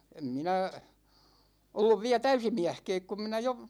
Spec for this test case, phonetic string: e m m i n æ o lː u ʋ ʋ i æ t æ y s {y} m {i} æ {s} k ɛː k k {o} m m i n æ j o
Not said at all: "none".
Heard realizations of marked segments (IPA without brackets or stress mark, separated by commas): i, i, h, u